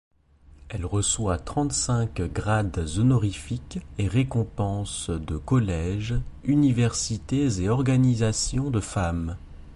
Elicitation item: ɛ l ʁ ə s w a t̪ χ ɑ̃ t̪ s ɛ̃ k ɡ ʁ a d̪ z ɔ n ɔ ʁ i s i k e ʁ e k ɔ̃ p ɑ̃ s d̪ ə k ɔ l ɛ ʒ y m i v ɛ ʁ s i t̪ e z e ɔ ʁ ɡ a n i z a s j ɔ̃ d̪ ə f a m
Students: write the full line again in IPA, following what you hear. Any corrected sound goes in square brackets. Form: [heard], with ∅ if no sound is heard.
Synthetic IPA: ɛ l ʁ ə s w a t̪ χ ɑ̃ t̪ s ɛ̃ k ɡ ʁ a d̪ z ɔ n ɔ ʁ i [f] i k e ʁ e k ɔ̃ p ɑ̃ s d̪ ə k ɔ l ɛ ʒ y [n] i v ɛ ʁ s i t̪ e z e ɔ ʁ ɡ a n i z a s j ɔ̃ d̪ ə f a m